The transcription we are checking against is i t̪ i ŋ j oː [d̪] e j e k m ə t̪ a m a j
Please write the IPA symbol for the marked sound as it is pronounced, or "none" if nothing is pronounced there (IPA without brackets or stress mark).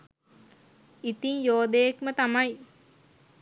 d̪